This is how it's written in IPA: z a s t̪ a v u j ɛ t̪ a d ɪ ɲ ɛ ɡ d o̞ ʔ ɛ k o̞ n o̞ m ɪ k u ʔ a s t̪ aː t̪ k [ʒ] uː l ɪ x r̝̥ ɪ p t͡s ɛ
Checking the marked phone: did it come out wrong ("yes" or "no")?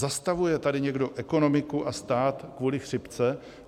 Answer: yes